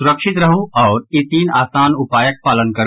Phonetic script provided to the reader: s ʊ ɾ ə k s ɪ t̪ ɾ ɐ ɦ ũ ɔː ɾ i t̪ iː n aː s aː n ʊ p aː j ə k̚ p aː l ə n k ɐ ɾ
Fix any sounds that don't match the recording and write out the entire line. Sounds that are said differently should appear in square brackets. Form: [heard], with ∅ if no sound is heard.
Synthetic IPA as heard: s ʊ ɾ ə k [ʃ] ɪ t̪ ɾ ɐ ɦ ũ ɔː ɾ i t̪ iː n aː s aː n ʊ p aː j ə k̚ p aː l ə n k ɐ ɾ